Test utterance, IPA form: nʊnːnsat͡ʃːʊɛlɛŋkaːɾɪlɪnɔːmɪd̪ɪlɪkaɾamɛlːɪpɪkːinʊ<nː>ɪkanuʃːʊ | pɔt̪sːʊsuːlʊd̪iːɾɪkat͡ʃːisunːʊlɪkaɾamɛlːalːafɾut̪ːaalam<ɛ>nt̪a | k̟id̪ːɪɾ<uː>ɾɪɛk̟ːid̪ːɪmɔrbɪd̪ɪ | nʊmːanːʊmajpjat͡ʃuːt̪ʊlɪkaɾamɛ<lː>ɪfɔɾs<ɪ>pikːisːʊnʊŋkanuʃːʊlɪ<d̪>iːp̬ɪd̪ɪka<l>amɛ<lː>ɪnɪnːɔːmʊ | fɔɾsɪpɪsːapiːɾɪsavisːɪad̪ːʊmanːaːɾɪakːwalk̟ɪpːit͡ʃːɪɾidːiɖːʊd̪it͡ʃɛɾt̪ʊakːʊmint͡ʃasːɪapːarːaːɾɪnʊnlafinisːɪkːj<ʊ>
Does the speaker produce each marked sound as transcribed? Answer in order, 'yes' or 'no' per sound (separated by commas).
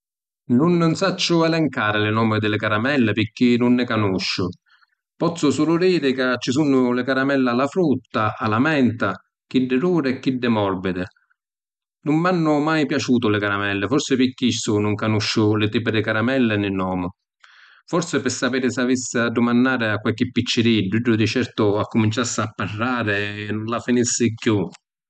yes, yes, yes, yes, yes, no, no, yes, no